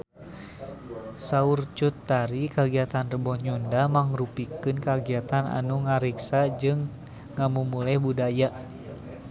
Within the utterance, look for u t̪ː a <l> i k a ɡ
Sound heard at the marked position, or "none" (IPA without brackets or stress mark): ɾ